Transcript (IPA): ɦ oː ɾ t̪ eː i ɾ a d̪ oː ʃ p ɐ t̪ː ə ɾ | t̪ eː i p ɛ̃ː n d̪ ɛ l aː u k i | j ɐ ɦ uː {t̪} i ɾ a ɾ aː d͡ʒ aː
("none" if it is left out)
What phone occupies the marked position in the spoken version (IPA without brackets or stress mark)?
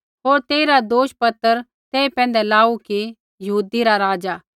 d̪